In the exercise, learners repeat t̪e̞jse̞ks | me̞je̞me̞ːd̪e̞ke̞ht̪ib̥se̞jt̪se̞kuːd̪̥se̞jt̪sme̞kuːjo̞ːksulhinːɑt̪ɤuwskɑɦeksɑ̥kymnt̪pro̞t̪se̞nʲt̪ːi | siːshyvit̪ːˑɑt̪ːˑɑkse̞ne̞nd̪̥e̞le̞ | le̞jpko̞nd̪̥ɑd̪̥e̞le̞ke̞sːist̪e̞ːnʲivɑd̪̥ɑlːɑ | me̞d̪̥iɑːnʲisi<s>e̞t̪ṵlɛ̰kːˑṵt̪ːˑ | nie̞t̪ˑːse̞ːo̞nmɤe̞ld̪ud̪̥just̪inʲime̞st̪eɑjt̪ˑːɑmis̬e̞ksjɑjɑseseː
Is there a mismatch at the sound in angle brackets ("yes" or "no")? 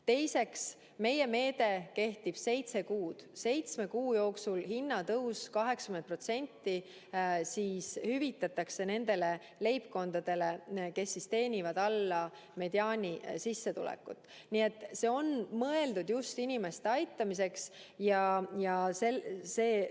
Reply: yes